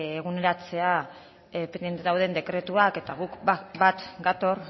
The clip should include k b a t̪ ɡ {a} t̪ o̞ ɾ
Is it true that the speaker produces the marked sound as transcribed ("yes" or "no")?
yes